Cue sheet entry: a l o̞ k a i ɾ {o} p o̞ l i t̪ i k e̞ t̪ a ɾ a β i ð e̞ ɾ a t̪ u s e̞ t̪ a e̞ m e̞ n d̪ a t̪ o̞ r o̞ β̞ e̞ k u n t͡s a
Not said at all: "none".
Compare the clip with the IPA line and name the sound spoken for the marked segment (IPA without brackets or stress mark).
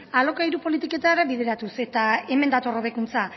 u